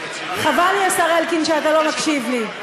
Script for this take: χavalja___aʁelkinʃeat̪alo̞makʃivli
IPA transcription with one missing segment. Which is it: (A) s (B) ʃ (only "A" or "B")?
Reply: A